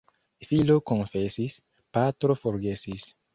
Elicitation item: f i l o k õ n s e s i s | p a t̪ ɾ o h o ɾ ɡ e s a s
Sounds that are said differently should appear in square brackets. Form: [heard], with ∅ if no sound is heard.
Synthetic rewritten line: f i l o k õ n [f] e s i s | p a t̪ ɾ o [f] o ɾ ɡ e s [i] s

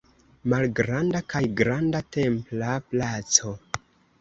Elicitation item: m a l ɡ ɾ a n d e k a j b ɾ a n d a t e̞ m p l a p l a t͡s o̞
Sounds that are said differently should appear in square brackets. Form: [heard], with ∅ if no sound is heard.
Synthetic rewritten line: m a l ɡ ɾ a n d [a] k a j [ɡ] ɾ a n d a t e̞ m p l a p l a t͡s o̞

